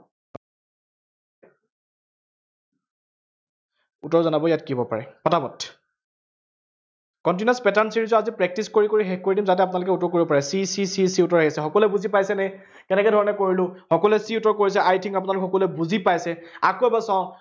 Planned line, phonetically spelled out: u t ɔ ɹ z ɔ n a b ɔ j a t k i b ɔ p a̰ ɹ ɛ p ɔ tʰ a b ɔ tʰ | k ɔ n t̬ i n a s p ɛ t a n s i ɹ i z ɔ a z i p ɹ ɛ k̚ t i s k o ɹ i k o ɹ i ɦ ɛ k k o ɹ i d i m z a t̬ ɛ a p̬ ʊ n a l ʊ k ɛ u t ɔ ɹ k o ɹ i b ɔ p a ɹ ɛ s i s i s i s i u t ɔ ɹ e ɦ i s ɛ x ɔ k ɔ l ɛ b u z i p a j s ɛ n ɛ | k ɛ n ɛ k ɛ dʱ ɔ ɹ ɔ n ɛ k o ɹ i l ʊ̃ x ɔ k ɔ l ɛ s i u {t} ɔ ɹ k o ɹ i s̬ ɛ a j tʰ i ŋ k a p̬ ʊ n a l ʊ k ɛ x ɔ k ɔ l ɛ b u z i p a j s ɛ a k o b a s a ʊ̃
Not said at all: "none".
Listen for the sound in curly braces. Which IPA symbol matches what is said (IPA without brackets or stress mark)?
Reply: t